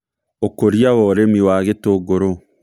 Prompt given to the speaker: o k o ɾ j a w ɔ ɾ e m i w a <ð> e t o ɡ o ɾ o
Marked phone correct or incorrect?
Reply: incorrect